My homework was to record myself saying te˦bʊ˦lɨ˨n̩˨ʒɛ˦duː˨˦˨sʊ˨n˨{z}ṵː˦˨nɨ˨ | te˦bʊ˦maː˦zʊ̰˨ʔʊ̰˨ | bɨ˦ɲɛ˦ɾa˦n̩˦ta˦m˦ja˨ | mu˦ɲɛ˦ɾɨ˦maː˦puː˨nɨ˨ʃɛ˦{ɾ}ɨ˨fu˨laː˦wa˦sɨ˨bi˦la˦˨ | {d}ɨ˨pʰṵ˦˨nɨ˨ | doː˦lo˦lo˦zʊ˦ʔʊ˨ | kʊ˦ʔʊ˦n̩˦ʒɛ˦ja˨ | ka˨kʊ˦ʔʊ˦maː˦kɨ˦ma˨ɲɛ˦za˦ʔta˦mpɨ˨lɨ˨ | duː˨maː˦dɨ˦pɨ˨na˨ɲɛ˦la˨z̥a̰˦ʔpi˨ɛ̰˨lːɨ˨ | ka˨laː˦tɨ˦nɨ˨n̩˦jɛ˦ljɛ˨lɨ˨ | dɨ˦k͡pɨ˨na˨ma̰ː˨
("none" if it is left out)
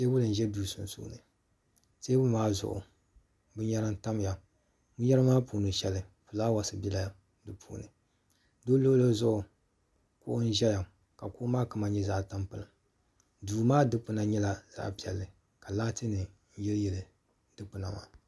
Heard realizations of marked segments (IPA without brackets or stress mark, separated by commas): s, l, d